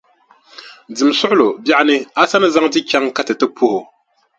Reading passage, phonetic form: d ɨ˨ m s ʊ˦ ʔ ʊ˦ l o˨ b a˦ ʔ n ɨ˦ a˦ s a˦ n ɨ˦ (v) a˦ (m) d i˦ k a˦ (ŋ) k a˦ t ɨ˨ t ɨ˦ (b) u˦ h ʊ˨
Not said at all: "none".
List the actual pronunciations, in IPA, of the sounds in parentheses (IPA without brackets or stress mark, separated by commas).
z, ŋ, ŋ, p